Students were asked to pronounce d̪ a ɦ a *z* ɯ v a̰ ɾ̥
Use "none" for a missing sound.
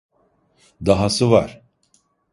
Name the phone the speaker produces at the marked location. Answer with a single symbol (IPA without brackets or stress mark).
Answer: s